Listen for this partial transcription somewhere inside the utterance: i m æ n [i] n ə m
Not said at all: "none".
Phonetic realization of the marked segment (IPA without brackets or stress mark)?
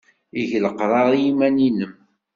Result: i